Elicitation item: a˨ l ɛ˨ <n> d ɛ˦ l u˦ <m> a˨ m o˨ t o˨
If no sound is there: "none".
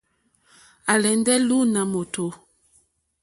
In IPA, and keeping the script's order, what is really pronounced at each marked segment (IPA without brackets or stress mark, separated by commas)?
n, n